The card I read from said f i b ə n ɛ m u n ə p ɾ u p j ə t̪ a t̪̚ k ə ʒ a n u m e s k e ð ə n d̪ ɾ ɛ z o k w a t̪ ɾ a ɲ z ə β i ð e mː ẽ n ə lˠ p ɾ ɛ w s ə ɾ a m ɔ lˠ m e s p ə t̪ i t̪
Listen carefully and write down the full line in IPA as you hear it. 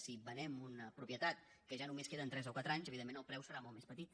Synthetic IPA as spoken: s i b ə n ɛ m u n ə p ɾ u p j ə t̪ a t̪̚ k ə ʒ a n u m e s k e ð ə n t̪ ɾ ɛ z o k w a t̪ ɾ a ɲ z ə β i ð e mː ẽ n ə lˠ p ɾ ɛ w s ə ɾ a m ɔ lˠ m e s p ə t̪ i t̪